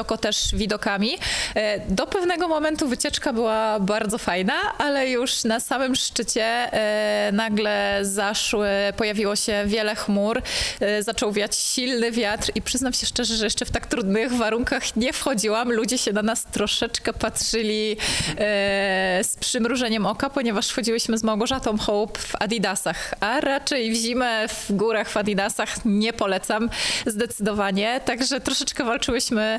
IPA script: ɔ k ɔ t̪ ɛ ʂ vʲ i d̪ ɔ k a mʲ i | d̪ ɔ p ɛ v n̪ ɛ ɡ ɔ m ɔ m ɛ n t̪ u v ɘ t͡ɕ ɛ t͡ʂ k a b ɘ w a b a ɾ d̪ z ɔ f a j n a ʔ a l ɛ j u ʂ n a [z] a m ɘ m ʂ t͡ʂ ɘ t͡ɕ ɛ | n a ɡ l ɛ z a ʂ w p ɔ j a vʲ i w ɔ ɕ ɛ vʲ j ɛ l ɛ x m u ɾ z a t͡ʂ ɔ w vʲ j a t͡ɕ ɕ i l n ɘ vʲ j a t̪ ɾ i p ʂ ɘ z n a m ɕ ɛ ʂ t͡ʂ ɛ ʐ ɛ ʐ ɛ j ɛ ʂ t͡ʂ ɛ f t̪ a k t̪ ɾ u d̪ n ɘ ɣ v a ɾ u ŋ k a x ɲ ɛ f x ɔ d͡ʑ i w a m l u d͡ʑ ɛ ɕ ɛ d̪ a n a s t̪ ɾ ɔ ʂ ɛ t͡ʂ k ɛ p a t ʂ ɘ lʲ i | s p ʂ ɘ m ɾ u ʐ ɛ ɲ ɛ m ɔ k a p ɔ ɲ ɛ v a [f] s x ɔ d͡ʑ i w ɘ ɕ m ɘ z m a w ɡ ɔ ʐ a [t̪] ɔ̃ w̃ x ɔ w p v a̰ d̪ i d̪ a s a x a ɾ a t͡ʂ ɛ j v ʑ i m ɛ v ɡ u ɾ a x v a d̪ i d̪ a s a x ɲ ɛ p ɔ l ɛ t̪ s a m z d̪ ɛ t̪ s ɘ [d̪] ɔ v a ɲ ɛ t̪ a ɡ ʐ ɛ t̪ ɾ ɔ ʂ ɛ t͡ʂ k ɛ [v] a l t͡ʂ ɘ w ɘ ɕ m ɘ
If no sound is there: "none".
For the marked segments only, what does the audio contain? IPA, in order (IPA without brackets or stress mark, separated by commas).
s, ʂ, t̪, d̪, v